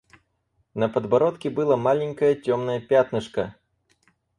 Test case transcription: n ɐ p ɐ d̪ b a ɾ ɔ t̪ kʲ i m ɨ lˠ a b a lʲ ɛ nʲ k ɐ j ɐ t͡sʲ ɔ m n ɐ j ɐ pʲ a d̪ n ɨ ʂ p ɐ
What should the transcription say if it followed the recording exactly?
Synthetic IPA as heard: n ɐ p ɐ d̪ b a ɾ ɔ t̪ kʲ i b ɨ lˠ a m a lʲ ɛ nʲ k ɐ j ɐ t͡sʲ ɔ m n ɐ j ɐ pʲ a t̪ n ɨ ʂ k ɐ